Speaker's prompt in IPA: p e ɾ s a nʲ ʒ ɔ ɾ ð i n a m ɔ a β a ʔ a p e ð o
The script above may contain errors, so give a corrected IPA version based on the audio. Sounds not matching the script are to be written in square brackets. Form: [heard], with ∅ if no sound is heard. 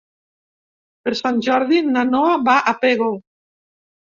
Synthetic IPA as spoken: p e ɾ s a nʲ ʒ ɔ ɾ ð i n a [n] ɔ a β a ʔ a p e [ɣ] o